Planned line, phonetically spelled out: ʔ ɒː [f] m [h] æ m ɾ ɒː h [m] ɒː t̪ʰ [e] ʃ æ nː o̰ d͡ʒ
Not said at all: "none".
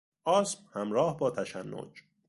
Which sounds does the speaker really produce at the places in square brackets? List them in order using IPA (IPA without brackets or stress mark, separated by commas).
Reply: s, h, b, æ